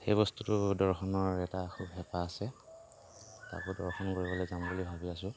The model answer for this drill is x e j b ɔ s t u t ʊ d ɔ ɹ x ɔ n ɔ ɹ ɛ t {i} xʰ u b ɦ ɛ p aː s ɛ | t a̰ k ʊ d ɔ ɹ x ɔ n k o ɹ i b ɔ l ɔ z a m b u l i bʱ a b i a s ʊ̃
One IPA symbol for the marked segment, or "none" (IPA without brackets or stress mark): a